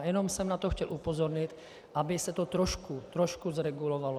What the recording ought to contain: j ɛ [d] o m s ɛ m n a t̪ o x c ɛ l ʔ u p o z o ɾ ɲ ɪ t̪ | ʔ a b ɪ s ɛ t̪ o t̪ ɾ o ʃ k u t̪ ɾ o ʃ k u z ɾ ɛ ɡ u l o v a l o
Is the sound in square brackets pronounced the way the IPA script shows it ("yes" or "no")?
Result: no